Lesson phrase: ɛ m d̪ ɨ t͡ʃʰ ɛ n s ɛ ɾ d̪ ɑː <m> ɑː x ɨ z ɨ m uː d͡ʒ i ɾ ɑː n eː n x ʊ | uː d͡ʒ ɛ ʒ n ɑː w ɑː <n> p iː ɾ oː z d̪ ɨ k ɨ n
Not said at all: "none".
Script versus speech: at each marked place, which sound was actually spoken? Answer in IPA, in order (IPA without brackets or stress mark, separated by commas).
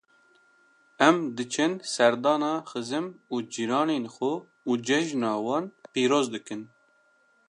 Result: n, n